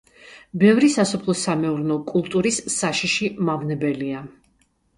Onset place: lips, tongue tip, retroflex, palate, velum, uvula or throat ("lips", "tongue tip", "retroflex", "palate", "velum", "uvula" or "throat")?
lips